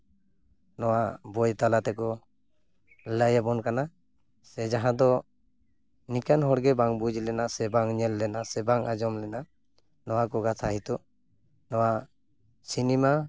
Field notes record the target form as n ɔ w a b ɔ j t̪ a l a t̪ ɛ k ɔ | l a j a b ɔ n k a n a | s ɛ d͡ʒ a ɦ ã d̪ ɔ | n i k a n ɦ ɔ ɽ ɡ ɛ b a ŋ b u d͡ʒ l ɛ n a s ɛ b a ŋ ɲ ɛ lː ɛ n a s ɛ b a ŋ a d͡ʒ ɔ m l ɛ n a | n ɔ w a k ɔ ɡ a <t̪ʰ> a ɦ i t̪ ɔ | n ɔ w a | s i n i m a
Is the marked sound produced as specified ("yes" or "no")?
yes